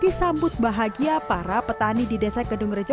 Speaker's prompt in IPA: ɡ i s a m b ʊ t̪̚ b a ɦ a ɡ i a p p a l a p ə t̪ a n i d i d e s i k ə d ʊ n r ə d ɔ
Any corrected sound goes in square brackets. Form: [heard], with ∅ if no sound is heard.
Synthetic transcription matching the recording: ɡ i s a m b ʊ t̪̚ b a ɦ a ɡ i a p p a [ɾ] a p ə t̪ a n i d i d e s [a] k ə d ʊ [ŋ] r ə [d͡ʒ] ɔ